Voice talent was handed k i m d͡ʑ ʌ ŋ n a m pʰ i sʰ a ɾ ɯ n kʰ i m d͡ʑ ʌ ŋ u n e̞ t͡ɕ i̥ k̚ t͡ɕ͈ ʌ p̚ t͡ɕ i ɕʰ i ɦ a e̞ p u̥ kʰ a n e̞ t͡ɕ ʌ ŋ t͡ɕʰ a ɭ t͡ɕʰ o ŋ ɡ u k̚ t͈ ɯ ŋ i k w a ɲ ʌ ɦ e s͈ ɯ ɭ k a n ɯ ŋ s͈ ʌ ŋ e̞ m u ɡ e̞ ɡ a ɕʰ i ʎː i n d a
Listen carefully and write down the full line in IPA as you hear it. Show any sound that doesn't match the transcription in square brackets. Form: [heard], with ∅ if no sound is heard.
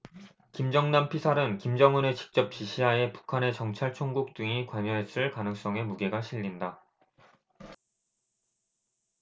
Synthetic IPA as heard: k i m d͡ʑ ʌ ŋ n a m pʰ i sʰ a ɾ ɯ n [k] i m d͡ʑ ʌ ŋ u n e̞ t͡ɕ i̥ k̚ t͡ɕ͈ ʌ p̚ t͡ɕ i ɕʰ i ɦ a e̞ p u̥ kʰ a n e̞ t͡ɕ ʌ ŋ t͡ɕʰ a ɭ t͡ɕʰ o ŋ ɡ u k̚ t͈ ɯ ŋ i k w a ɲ ʌ ɦ e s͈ ɯ ɭ k a n ɯ ŋ s͈ ʌ ŋ e̞ m u ɡ e̞ ɡ a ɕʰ i ʎː i n d a

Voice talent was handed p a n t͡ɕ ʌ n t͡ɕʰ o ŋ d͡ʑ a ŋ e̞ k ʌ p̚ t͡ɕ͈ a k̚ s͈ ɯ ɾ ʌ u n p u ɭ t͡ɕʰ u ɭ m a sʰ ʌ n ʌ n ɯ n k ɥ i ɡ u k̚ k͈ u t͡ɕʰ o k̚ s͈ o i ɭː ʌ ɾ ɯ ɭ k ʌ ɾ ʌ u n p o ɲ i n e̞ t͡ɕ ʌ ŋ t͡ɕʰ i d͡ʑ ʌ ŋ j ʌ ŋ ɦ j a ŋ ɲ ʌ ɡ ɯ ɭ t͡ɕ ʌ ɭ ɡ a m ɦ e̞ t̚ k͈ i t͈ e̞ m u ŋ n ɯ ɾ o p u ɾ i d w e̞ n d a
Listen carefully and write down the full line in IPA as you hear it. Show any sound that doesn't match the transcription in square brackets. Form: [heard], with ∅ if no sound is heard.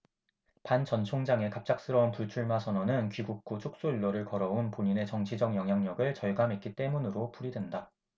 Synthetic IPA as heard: p a n t͡ɕ ʌ n t͡ɕʰ o ŋ d͡ʑ a ŋ e̞ k [a] p̚ t͡ɕ͈ a k̚ s͈ ɯ ɾ ʌ u n p u ɭ t͡ɕʰ u ɭ m a sʰ ʌ n ʌ n ɯ n k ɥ i ɡ u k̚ k͈ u t͡ɕʰ o k̚ s͈ o i ɭː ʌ ɾ ɯ ɭ k ʌ ɾ ʌ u n p o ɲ i n e̞ t͡ɕ ʌ ŋ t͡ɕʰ i d͡ʑ ʌ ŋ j ʌ ŋ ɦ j a ŋ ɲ ʌ ɡ ɯ ɭ t͡ɕ ʌ ɭ ɡ a m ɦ e̞ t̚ k͈ i t͈ e̞ m u [∅] n ɯ ɾ o p u ɾ i d w e̞ n d a

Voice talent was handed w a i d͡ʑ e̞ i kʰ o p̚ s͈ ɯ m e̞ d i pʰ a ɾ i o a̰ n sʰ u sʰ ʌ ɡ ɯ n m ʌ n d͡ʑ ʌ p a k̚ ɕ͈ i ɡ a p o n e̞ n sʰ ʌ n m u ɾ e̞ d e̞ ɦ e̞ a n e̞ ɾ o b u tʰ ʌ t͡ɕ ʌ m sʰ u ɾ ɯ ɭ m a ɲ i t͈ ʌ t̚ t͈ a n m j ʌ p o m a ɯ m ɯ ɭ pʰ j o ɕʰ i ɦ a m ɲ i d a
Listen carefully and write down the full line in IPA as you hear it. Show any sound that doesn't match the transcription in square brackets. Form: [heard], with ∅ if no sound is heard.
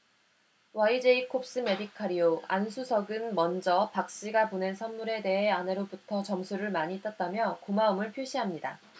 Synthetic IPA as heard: w a i d͡ʑ e̞ i kʰ o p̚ s͈ ɯ m e̞ d i [kʰ] a ɾ i o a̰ n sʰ u sʰ ʌ ɡ ɯ n m ʌ n d͡ʑ ʌ p a k̚ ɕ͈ i ɡ a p o n e̞ n sʰ ʌ n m u ɾ e̞ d e̞ ɦ e̞ a n e̞ ɾ o b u tʰ ʌ t͡ɕ ʌ m sʰ u ɾ ɯ ɭ m a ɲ i t͈ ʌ t̚ t͈ a [∅] m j ʌ [k] o m a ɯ m ɯ ɭ pʰ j o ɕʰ i ɦ a m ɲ i d a

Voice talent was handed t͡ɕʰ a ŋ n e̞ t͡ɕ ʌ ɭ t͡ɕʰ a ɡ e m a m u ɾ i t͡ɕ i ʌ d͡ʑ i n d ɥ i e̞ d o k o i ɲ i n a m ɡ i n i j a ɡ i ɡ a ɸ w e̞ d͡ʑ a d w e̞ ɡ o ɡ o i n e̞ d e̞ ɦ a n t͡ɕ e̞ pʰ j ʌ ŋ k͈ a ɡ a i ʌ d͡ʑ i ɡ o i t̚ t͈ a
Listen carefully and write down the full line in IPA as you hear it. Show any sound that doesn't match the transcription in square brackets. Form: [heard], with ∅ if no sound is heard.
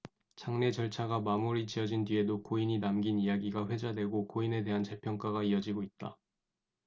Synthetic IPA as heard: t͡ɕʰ a ŋ n e̞ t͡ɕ ʌ ɭ t͡ɕʰ a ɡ [a] m a m u ɾ i t͡ɕ i ʌ d͡ʑ i n d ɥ i e̞ d o k o i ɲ i n a m ɡ i n i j a ɡ i ɡ a ɸ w e̞ d͡ʑ a d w e̞ ɡ o [k] o i n e̞ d e̞ ɦ a n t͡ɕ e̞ pʰ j ʌ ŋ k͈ a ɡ a i ʌ d͡ʑ i ɡ o i t̚ t͈ a

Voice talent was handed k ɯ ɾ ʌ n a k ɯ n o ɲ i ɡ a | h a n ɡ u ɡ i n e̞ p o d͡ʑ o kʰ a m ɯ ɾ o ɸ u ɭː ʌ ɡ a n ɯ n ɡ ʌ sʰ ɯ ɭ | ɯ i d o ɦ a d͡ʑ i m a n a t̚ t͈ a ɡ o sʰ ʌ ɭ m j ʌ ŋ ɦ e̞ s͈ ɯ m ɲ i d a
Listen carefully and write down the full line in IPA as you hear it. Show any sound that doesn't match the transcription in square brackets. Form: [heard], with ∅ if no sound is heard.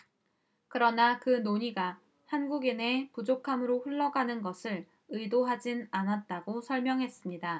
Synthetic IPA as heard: k ɯ ɾ ʌ n a k ɯ n o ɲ i ɡ a | h a n ɡ u ɡ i n e̞ p [u] d͡ʑ o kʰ a m ɯ ɾ o ɸ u ɭː ʌ ɡ a n ɯ n ɡ ʌ sʰ ɯ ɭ | ɯ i d o ɦ a d͡ʑ i [n] a n a t̚ t͈ a ɡ o sʰ ʌ ɭ m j ʌ ŋ ɦ e̞ s͈ ɯ m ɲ i d a

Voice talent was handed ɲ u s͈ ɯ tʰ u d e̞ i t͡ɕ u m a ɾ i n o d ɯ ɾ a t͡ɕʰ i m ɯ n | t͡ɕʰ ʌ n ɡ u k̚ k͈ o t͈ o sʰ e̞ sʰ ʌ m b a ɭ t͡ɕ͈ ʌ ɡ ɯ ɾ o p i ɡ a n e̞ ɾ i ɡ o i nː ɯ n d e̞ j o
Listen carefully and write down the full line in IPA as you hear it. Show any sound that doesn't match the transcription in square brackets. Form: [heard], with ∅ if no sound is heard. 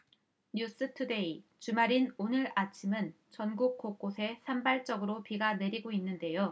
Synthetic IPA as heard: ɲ u s͈ ɯ tʰ u d e̞ i t͡ɕ u m a ɾ i n o [n] ɯ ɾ a t͡ɕʰ i m ɯ n | [t͡ɕ] ʌ n ɡ u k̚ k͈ o [k͈] o sʰ e̞ sʰ [a] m b a ɭ t͡ɕ͈ ʌ ɡ ɯ ɾ o p i ɡ a n e̞ ɾ i ɡ o i nː ɯ n d e̞ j o

